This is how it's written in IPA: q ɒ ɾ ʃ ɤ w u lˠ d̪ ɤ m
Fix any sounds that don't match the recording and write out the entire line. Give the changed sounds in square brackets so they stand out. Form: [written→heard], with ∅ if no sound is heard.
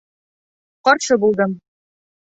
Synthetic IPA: q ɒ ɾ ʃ ɤ [w→b] u lˠ d̪ ɤ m